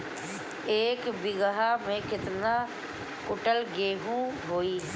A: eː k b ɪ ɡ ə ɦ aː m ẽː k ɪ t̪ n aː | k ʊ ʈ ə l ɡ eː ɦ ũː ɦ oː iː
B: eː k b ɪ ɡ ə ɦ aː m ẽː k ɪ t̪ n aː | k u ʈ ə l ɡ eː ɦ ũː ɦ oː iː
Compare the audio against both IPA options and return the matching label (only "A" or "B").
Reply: A